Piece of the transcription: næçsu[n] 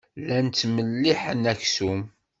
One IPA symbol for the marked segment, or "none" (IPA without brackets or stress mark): m